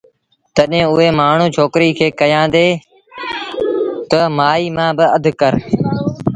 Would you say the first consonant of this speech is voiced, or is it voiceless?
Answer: voiceless